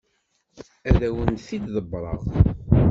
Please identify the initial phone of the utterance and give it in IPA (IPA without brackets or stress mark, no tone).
æ